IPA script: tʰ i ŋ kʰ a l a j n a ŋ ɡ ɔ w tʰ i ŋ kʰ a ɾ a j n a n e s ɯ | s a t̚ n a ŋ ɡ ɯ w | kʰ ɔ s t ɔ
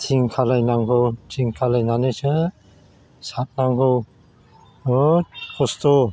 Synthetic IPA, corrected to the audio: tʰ i ŋ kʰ a l a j n a ŋ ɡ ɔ w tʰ i ŋ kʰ a l a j n a n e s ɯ | s a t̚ n a ŋ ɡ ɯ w | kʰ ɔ s t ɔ